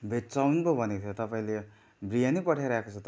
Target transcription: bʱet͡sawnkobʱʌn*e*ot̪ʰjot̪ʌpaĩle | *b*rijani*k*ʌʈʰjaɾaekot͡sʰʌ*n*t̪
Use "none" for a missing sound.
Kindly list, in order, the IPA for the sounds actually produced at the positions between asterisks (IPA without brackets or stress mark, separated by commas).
e, b, p, none